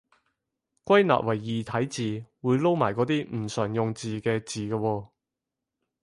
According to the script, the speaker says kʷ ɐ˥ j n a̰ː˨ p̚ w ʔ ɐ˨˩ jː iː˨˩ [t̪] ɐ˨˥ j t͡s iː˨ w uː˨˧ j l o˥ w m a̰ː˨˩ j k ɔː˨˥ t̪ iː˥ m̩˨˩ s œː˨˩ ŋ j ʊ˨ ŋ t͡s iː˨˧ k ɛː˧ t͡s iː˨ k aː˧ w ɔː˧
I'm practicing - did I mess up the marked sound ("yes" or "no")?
yes